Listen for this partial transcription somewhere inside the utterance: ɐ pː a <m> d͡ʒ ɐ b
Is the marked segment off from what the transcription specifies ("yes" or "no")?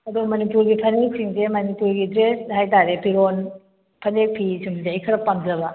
no